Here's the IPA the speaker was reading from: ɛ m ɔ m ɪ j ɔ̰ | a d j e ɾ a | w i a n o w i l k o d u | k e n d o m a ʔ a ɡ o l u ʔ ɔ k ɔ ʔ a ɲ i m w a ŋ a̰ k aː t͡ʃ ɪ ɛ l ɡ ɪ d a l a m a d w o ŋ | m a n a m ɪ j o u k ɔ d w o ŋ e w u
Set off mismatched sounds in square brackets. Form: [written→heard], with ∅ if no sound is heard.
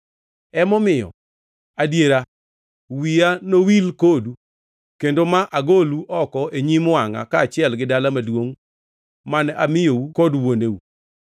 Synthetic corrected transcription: ɛ m ɔ m ɪ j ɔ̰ | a d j e ɾ a | w i a n o w i l k o d u | k e n d o m a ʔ a ɡ o l u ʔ ɔ k ɔ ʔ [a→e] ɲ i m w a ŋ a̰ k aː t͡ʃ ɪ ɛ l ɡ ɪ d a l a m a d w o ŋ | m a n a m ɪ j o u k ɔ d w o [ŋ→n] e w u